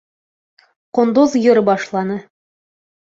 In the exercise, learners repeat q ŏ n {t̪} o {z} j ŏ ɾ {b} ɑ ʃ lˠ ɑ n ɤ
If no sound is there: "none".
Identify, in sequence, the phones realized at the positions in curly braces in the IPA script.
d̪, z, b

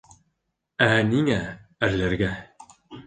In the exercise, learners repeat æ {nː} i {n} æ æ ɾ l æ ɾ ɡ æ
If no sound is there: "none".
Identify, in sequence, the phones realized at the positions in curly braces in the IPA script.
n, ŋ

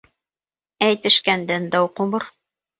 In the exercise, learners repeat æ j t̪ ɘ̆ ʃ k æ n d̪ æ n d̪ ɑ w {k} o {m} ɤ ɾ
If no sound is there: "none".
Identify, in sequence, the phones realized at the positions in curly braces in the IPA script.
q, m

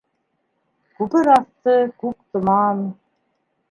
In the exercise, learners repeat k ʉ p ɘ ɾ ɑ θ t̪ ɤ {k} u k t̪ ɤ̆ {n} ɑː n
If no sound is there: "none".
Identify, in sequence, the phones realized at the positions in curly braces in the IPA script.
k, m

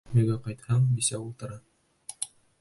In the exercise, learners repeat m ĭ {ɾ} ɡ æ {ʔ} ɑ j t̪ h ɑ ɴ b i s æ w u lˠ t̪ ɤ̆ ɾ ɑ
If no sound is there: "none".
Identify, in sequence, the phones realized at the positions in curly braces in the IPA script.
none, q

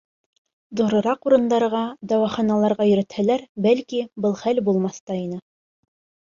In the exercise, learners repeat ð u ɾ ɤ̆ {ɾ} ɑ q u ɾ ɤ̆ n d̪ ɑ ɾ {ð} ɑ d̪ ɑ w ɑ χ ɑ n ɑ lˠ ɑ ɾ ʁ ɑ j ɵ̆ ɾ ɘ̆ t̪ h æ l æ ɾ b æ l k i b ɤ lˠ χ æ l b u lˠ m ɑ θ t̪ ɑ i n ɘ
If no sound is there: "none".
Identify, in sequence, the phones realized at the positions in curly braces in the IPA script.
ɾ, ʁ

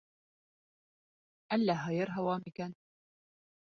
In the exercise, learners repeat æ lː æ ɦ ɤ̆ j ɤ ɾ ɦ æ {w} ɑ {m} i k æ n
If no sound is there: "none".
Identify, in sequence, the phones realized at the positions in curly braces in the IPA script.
w, m

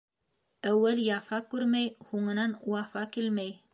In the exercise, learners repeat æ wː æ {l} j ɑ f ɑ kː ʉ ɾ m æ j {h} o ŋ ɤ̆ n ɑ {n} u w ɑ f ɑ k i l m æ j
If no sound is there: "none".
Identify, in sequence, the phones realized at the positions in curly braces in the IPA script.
l, h, n

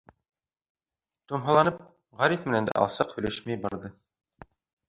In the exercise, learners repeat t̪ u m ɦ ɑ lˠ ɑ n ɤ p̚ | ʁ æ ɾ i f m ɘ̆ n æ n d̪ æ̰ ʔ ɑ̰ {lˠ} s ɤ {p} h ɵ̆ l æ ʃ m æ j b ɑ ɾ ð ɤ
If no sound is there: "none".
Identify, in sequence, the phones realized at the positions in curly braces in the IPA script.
lˠ, q

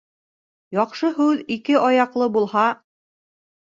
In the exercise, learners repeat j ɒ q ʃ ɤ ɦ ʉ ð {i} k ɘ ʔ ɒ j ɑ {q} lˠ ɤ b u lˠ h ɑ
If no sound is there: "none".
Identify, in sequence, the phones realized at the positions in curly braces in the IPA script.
i, q

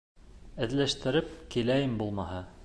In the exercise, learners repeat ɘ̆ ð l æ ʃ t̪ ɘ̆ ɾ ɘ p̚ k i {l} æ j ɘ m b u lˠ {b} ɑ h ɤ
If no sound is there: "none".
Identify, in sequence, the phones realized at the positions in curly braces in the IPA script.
l, m

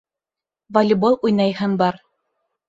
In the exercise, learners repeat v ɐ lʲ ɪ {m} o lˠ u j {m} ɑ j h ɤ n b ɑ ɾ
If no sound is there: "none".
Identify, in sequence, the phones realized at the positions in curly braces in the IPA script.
b, n

